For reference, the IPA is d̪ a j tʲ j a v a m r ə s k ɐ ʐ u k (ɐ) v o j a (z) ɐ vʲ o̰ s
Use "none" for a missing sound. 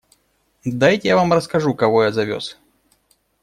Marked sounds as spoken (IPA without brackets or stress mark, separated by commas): ɐ, z